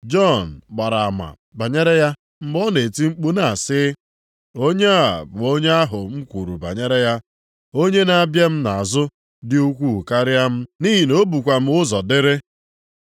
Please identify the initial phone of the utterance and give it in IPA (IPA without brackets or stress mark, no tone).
d͡ʒ